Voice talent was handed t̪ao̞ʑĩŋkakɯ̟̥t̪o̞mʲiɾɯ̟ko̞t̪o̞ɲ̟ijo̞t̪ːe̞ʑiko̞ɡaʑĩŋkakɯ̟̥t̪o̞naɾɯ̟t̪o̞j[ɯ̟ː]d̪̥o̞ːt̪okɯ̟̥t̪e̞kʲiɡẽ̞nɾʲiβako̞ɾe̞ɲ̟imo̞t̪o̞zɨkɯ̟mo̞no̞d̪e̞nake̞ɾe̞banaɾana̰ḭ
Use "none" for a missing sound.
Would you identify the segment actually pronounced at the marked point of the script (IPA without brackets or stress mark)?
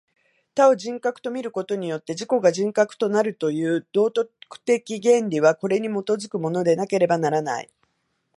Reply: ɯ̟ː